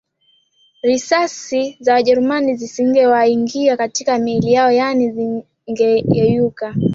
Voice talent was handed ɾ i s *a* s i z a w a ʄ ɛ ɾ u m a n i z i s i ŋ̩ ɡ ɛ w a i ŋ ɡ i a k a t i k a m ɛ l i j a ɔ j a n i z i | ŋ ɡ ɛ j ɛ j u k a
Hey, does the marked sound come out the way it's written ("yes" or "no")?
yes